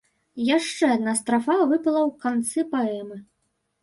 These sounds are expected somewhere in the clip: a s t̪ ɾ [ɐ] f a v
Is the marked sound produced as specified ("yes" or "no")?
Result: no